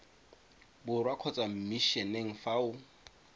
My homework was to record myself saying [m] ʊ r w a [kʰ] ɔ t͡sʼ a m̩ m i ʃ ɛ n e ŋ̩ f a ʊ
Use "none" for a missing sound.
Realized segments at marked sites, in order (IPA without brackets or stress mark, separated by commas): b, kʰ